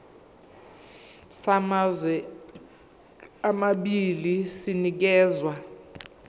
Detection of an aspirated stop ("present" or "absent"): absent